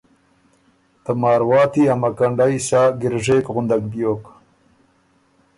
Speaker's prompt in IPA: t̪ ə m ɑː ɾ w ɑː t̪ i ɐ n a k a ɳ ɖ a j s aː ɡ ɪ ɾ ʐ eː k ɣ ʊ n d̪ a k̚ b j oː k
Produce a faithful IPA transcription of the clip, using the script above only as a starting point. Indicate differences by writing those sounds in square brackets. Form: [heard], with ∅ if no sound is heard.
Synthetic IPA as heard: t̪ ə m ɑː ɾ w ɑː t̪ i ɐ [m] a k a ɳ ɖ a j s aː ɡ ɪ ɾ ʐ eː k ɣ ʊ n d̪ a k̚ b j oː k